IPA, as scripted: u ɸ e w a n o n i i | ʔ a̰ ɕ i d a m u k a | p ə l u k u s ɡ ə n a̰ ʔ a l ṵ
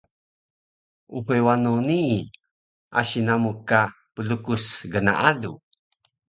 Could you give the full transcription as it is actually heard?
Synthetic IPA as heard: u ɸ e w a n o n i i | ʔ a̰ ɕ i n a m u k a | p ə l u k u s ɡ ə n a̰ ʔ a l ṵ

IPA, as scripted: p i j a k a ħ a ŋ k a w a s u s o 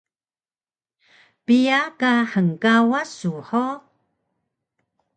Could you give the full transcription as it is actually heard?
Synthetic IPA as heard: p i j a k a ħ ə ŋ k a w a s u ħ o

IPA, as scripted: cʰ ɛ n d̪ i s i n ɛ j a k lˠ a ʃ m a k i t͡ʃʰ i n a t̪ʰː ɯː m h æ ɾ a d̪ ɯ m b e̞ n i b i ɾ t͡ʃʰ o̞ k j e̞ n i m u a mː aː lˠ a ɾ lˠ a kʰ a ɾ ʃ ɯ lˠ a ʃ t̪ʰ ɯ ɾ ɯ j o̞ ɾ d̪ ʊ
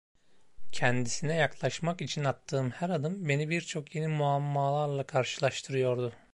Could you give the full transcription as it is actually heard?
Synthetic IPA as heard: cʰ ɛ n d̪ i s i n ɛ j a k lˠ a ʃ m a k i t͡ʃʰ i n a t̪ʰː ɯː m h æ ɾ a d̪ ɯ m b e̞ n i b i ɾ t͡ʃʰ o̞ k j e̞ n i m u a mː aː lˠ a ɾ lˠ a kʰ a ɾ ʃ ɯ lˠ a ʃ t̪ʰ ɯ ɾ ɯ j o̞ ɾ d̪ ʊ

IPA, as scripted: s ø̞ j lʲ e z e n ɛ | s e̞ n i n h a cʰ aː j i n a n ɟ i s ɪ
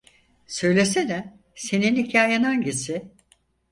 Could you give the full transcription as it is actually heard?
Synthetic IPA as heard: s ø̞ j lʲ e s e n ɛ | s e̞ n i n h i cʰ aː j a n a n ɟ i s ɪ

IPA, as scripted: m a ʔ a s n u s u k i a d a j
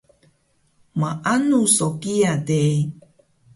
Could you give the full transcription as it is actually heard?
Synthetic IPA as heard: m a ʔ a n u s o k i a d e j

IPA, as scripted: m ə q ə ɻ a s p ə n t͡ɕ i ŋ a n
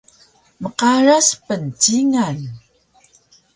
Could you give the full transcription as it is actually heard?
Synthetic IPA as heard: m ə q a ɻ a s p ə n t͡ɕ i ŋ a n

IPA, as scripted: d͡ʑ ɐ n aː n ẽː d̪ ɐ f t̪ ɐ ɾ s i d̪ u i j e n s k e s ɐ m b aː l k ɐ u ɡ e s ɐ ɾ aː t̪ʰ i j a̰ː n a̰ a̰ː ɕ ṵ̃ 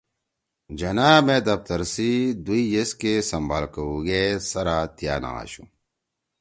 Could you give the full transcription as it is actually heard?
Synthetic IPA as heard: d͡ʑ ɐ n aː m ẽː d̪ ɐ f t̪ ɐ ɾ s i d̪ u i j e s k e s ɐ m b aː l k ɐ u ɡ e s ɐ ɾ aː t̪ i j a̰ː n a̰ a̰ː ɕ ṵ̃

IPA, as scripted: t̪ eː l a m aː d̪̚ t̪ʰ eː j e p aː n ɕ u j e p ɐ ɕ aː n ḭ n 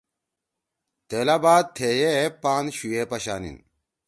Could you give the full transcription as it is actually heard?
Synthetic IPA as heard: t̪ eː l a b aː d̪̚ t̪ʰ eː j e p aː n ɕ u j e p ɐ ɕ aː n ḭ n

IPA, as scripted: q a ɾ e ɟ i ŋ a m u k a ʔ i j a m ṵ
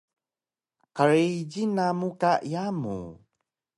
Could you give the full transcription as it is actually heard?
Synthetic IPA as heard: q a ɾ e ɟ i n a m u k a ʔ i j a m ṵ

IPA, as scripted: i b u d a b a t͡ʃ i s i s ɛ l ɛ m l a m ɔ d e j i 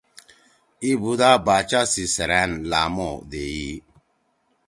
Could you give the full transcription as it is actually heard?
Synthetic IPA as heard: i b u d a b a t͡ʃ a s i s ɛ ɾ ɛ n l a m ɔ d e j i

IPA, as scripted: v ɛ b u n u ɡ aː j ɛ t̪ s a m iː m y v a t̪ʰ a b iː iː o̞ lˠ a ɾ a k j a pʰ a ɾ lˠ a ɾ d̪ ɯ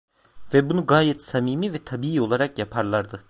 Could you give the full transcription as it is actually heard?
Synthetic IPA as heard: v ɛ b u n u ɡ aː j ɛ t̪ s a m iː m i v ɛ t̪ʰ a b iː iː o̞ lˠ a ɾ a k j a pʰ a ɾ lˠ a ɾ d̪ ɯ

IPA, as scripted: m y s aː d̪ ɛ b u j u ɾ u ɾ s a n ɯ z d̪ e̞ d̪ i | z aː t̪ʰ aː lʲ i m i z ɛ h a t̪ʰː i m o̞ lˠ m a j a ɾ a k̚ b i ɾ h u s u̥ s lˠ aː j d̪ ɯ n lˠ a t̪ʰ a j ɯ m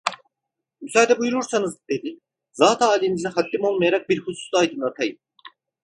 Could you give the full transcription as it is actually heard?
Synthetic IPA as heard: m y s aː d̪ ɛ b u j u ɾ u ɾ s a n ɯ z d̪ e̞ d̪ i | z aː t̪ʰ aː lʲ i n i z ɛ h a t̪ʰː i m o̞ lˠ m a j a ɾ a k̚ b i ɾ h u s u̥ s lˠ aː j d̪ ɯ n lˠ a t̪ʰ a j ɯ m

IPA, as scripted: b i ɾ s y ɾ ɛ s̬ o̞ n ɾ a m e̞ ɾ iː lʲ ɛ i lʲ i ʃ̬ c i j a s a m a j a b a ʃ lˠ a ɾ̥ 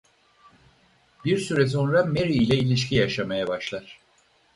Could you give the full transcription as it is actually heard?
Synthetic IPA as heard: b i ɾ s y ɾ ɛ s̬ o̞ n ɾ a m e̞ ɾ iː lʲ ɛ i lʲ i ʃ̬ c i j a ʃ a m a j a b a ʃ lˠ a ɾ̥

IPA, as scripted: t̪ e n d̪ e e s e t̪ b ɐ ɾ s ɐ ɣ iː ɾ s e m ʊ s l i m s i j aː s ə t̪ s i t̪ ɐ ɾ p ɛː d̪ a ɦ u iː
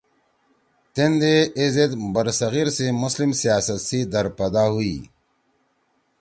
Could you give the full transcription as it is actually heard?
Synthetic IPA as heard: t̪ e n d̪ e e z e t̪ b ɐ ɾ s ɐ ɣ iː ɾ s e m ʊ s l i m s i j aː s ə t̪ s i d̪ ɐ ɾ p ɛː d̪ a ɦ u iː

